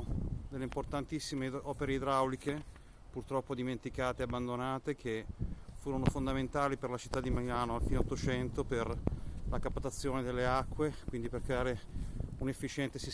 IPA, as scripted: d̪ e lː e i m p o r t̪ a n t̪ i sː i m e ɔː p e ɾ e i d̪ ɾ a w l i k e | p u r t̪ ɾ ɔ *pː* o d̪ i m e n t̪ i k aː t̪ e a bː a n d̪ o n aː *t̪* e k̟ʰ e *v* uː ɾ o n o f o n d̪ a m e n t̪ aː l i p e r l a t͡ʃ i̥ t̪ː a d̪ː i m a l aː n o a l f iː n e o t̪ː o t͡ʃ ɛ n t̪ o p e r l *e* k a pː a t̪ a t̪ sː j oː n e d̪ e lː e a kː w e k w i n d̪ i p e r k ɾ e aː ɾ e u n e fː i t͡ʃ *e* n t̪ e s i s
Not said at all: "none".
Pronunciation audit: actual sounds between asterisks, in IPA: pː, t̪, f, a, ɛ

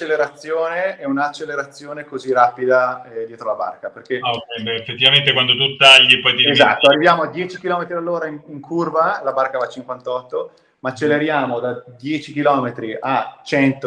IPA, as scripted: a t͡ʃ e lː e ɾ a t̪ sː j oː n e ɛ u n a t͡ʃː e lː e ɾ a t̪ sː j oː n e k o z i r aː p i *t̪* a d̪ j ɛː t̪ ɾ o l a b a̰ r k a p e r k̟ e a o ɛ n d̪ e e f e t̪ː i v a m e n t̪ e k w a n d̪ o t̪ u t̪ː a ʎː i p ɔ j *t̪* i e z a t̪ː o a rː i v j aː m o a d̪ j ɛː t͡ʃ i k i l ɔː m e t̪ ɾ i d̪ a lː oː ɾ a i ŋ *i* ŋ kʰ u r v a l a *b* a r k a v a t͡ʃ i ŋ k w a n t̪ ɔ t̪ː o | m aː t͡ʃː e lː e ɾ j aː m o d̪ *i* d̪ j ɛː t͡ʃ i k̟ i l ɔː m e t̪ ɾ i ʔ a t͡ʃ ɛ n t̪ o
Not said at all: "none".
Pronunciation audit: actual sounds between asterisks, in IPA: d̪, t̪, i, b, a

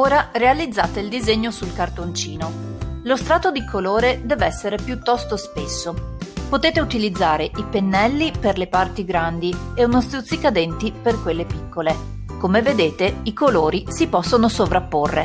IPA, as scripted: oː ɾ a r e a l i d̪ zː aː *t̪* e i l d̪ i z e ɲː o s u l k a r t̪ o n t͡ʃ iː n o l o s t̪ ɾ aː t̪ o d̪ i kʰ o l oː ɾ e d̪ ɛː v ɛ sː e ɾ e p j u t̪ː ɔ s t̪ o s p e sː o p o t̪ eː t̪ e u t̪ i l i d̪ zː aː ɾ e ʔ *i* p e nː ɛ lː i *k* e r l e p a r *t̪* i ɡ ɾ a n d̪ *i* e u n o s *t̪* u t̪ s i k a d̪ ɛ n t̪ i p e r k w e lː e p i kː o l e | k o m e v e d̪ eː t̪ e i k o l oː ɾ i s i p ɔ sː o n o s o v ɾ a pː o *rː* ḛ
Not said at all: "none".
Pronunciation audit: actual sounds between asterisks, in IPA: t̪, i, p, t̪, i, t̪, rː

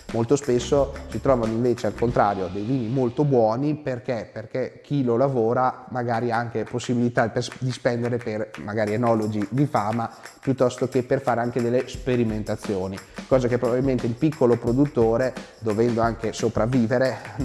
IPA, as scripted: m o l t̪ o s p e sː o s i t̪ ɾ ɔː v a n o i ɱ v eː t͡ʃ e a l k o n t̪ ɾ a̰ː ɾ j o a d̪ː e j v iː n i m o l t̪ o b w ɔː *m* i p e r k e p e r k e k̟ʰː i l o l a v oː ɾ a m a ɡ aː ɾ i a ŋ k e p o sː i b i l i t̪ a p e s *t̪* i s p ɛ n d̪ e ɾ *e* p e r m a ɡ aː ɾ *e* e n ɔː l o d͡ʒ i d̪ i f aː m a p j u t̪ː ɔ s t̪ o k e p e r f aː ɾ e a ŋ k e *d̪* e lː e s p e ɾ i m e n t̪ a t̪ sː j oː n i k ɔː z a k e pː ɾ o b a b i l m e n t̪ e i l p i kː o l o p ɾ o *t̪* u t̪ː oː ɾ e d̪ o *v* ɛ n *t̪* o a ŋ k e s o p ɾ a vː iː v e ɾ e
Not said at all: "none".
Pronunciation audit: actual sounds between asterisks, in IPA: n, d̪, e, i, d̪, d̪, v, d̪

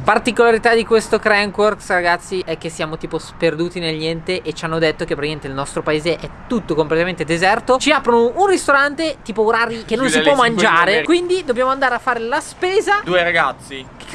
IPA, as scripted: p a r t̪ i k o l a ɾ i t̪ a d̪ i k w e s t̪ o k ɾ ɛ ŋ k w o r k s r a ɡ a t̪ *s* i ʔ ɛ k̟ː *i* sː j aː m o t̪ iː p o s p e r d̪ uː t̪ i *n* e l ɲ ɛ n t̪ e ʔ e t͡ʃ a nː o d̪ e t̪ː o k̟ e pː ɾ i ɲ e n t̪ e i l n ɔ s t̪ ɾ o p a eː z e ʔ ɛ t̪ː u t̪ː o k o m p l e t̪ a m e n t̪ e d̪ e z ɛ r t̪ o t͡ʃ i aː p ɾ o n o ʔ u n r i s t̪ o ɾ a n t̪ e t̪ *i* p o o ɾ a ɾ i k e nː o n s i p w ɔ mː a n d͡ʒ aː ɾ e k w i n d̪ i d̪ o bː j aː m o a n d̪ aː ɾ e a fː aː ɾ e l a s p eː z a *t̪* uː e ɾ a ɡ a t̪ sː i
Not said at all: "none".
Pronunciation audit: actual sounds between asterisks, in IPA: sː, e, n, iː, d̪

